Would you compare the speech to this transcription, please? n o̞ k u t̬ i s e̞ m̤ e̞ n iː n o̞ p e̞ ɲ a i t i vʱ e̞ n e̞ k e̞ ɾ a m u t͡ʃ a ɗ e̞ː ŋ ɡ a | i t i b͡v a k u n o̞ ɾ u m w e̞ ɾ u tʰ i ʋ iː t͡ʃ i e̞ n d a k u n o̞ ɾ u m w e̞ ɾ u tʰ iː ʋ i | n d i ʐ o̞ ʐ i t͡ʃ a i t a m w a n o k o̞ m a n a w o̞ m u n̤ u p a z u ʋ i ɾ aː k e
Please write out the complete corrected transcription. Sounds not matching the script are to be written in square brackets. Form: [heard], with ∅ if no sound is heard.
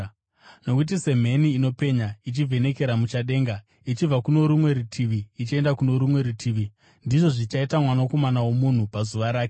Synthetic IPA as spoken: n o̞ k u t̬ i s e̞ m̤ e̞ n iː n o̞ p e̞ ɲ a i [t͡ʃ] i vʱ e̞ n e̞ k e̞ ɾ a m u t͡ʃ a ɗ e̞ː ŋ ɡ a | i [t͡ʃ] i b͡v a k u n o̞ ɾ u m w e̞ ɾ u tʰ i ʋ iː t͡ʃ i e̞ n d a k u n o̞ ɾ u m w e̞ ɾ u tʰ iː ʋ i | n d i ʐ o̞ ʐ i t͡ʃ a i t a m w a n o k o̞ m a n a w o̞ m u n̤ u p a z u ʋ [a] ɾ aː k e